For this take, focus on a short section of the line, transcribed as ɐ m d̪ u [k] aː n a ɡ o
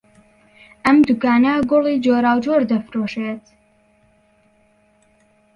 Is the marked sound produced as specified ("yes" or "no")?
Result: yes